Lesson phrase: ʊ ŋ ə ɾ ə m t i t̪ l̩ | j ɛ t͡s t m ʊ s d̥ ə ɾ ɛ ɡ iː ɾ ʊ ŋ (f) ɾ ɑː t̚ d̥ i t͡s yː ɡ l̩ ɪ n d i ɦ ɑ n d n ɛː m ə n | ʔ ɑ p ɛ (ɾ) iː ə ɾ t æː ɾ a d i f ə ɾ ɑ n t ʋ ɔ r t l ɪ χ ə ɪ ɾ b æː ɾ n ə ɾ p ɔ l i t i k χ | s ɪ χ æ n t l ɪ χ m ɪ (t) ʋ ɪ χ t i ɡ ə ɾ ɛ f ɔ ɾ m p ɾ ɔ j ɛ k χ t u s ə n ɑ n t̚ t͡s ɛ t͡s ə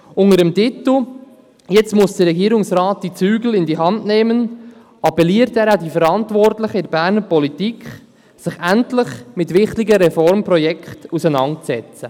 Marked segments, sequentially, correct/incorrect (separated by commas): incorrect, incorrect, correct